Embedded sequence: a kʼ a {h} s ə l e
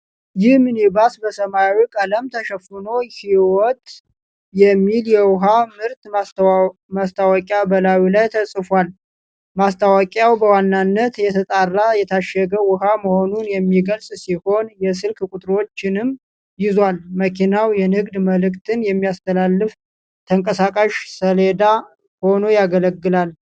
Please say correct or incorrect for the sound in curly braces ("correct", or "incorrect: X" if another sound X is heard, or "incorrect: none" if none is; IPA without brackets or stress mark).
incorrect: ʃ